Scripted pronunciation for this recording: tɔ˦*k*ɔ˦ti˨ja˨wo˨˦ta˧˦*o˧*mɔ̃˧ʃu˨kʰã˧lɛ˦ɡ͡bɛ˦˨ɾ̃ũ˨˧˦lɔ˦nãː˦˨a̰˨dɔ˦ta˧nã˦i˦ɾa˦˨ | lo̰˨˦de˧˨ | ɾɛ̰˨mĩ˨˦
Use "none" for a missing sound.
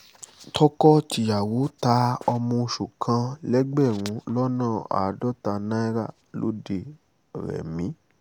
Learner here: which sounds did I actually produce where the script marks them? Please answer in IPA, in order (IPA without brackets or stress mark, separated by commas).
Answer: k, ɔ˧